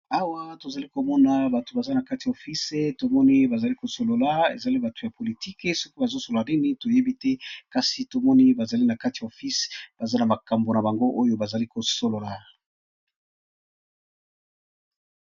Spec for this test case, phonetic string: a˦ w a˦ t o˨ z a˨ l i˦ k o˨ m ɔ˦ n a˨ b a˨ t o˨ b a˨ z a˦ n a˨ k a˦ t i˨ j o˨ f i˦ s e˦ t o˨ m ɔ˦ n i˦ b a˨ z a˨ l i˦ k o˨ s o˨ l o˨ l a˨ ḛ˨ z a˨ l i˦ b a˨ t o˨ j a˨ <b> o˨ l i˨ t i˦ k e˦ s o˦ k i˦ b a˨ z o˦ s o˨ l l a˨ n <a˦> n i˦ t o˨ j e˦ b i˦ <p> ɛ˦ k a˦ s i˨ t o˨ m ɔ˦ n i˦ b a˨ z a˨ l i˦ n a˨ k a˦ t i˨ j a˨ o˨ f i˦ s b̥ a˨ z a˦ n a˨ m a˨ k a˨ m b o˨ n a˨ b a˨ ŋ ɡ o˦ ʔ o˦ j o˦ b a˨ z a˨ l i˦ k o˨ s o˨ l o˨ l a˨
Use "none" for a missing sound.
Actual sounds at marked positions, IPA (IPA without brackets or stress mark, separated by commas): p, i˦, t